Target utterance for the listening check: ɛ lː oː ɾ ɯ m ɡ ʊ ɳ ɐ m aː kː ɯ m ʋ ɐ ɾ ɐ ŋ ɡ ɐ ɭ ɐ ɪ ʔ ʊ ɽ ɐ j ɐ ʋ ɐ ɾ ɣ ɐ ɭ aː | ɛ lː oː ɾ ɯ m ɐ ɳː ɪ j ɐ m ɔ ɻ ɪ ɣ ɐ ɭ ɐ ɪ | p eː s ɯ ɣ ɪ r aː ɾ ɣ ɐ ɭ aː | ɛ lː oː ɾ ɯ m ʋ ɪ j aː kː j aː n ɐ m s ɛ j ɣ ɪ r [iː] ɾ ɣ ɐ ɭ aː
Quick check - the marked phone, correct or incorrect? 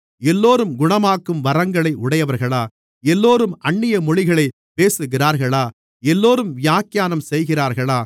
incorrect